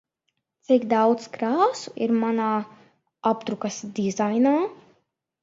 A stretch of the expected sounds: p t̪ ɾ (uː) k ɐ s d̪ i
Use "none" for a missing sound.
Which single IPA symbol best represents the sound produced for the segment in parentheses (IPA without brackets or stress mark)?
u